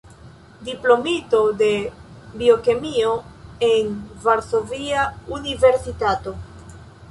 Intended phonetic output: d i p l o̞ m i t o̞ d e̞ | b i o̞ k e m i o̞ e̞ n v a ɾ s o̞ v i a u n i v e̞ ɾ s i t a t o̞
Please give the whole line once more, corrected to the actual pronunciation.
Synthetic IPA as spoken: d i p l o̞ m i t o̞ d e̞ | b i o̞ k e m i o̞ e̞ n v a ɾ s o̞ v i a u n i v e̞ ɾ s i t a t o̞